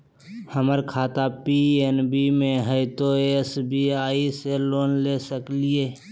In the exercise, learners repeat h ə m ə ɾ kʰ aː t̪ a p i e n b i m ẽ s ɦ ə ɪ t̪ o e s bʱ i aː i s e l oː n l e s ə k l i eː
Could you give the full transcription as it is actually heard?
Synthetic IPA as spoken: h ə m ə ɾ kʰ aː t̪ a p i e n b i m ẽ ɦ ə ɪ t̪ o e s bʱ i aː i s e l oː n l e s ə k l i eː